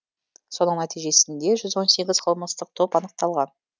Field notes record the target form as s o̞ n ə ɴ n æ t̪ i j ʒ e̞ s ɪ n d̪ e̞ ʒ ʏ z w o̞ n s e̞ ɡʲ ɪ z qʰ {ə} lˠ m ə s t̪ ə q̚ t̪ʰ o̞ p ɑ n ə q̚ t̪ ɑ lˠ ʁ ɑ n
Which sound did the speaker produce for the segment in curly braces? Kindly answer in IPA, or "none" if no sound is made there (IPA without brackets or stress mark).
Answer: ə